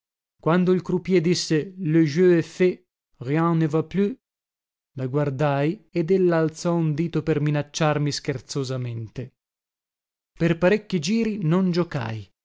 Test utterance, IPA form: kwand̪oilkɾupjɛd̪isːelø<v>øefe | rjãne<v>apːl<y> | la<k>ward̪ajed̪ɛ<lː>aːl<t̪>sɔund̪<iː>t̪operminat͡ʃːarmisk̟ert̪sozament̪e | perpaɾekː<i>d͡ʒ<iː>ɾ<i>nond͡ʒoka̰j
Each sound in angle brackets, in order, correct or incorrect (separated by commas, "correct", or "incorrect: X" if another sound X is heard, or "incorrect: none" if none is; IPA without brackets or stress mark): incorrect: ʒ, correct, correct, incorrect: ɡ, correct, correct, correct, correct, correct, correct